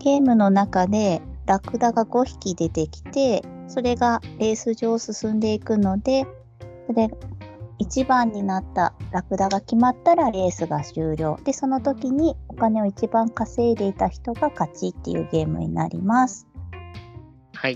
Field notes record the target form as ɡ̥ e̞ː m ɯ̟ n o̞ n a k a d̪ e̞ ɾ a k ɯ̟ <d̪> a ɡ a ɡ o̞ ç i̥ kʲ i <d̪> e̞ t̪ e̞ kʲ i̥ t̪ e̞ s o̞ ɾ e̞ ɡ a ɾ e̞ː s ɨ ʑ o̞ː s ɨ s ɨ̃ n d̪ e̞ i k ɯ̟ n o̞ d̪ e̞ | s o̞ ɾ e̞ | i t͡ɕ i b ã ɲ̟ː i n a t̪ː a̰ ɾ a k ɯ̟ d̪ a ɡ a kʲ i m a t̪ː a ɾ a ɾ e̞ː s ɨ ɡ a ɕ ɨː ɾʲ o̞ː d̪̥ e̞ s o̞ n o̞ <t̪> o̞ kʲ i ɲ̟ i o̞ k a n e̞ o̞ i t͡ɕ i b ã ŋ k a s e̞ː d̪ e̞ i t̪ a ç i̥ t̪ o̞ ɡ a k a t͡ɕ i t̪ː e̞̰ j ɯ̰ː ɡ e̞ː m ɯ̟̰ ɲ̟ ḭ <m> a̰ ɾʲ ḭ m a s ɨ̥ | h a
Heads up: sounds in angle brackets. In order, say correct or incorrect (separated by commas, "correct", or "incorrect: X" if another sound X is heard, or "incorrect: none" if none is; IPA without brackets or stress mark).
correct, correct, correct, incorrect: n